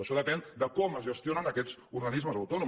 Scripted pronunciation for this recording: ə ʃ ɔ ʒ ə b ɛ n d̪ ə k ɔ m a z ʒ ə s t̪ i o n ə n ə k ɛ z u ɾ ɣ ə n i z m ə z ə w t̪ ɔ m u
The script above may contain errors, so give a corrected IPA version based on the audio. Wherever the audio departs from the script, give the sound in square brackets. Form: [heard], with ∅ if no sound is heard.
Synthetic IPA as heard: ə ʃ ɔ [ð] ə [p] ɛ n d̪ ə k ɔ m [ə] z ʒ ə s t̪ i o n ə n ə k ɛ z u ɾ ɣ ə n i z m ə z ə w t̪ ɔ [n] u